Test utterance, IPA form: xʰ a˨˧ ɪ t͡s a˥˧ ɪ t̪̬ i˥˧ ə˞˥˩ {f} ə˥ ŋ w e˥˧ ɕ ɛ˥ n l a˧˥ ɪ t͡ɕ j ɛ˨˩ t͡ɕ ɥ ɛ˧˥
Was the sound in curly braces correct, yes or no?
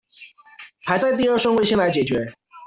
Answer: no